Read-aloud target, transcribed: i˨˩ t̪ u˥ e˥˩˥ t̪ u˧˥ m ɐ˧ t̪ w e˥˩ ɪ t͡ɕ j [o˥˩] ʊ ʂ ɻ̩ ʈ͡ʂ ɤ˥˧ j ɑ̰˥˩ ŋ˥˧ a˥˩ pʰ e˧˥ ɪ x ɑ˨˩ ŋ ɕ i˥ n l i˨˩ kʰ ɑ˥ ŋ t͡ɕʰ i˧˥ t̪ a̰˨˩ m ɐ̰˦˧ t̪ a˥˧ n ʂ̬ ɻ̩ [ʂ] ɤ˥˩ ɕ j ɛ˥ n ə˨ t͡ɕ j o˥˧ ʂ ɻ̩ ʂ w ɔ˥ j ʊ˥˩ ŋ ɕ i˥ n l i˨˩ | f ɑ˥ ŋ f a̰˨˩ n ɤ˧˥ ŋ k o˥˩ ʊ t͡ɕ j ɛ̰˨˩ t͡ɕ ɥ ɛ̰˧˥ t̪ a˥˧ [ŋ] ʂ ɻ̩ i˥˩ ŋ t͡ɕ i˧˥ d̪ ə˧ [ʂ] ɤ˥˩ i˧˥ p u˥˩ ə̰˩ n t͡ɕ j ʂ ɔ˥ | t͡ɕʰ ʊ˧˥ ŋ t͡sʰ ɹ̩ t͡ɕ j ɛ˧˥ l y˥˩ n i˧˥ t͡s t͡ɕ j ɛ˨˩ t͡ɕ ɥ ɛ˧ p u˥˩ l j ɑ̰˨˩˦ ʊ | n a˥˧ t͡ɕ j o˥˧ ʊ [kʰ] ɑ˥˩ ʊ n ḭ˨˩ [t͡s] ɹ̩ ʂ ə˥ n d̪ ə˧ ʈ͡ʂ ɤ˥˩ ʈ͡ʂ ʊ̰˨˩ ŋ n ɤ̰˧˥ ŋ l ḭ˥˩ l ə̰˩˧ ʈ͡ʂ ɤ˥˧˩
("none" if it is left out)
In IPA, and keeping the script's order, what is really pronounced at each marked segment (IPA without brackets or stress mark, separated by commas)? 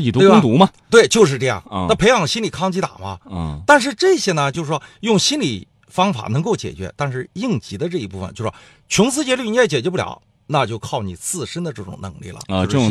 o˥˧, ʈ͡ʂ, n, ʈ͡ʂ, kʰ, t͡sʰ